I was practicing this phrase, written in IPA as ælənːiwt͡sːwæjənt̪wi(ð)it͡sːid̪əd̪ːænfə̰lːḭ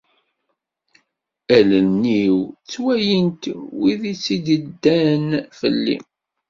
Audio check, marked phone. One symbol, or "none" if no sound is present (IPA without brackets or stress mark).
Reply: ð